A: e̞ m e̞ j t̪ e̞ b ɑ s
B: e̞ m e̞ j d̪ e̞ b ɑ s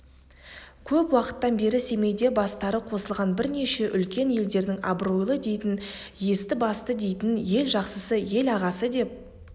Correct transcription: B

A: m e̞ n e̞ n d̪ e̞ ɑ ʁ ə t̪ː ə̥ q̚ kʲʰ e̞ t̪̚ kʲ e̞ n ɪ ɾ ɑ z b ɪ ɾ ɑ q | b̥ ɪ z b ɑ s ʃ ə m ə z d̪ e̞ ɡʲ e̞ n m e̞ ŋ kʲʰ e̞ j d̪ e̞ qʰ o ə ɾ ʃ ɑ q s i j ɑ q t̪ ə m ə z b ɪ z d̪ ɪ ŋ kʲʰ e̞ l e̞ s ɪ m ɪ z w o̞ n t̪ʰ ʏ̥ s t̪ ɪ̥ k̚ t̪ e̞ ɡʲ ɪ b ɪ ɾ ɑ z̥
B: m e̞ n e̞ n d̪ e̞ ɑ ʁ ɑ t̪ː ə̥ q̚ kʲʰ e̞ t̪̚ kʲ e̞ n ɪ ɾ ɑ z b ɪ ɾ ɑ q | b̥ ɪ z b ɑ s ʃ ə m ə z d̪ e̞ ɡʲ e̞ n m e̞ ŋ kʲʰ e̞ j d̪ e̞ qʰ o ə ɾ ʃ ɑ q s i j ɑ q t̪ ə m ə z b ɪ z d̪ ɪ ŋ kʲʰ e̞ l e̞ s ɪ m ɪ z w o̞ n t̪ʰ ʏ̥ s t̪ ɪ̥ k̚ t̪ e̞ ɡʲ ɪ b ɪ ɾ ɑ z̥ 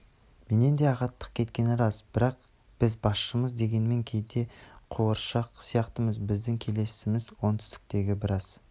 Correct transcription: B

